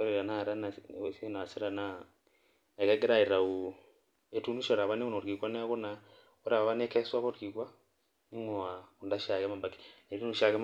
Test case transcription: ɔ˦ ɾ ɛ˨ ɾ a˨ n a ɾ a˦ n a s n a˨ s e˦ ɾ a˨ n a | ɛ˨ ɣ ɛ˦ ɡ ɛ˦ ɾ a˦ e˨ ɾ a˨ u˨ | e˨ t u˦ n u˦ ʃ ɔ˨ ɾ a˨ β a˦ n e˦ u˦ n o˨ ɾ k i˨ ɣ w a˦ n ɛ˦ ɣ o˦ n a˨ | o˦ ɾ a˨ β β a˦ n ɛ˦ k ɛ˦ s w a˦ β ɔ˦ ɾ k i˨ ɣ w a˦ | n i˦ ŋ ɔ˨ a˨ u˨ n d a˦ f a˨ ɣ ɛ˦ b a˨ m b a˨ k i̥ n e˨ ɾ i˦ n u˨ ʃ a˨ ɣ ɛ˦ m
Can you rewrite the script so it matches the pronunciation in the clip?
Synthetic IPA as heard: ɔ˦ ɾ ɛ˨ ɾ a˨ n a ɾ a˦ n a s n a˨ s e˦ ɾ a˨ n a | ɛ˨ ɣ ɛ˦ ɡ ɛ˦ ɾ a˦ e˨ ɾ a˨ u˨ | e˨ t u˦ n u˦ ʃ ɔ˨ ɾ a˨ β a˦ n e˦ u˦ n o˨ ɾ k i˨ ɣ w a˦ n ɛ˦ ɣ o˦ n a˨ | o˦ ɾ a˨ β β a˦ n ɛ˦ k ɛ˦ s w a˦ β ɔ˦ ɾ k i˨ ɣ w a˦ | n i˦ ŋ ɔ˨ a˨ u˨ n d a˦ ʃ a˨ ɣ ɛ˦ m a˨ m b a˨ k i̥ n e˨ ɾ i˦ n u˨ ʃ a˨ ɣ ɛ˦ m